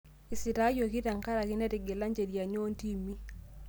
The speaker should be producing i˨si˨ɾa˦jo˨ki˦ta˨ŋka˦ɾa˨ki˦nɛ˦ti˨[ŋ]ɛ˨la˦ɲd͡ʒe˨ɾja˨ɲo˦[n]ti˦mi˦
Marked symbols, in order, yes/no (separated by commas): no, yes